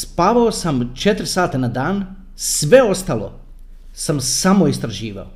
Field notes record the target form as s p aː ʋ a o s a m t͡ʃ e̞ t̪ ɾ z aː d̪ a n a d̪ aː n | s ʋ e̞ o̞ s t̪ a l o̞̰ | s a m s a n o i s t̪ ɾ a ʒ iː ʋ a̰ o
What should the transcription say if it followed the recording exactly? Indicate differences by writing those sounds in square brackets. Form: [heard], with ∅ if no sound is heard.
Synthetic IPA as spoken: s p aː ʋ a o s a m t͡ʃ e̞ t̪ ɾ [s] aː [t̪] a n a d̪ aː n | s ʋ e̞ o̞ s t̪ a l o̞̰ | s a m s a [m] o i s t̪ ɾ a ʒ iː ʋ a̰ o